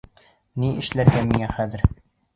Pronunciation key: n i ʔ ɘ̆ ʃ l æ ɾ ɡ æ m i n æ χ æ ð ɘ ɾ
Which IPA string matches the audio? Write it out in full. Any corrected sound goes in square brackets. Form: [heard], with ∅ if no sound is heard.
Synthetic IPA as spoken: n i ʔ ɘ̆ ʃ l æ ɾ ɡ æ m i [ŋ] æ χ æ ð ɘ ɾ